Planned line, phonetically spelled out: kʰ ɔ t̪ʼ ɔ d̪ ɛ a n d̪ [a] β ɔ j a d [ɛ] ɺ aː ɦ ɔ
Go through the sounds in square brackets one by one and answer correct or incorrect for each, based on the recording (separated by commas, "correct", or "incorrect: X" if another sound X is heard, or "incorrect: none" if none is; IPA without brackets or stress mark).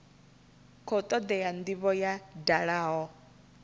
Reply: incorrect: i, incorrect: a